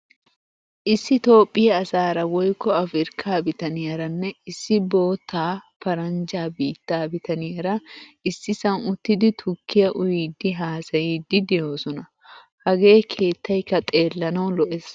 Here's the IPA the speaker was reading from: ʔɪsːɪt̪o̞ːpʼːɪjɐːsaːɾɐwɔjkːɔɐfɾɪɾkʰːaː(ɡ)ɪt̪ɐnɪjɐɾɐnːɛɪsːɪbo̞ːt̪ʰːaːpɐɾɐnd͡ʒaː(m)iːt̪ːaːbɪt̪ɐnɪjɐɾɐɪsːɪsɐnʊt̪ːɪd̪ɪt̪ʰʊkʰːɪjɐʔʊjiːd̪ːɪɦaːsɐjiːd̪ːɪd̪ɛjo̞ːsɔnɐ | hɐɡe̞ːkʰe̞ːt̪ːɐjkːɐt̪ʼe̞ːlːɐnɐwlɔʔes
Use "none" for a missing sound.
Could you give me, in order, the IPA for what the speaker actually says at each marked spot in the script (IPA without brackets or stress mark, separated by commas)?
b, b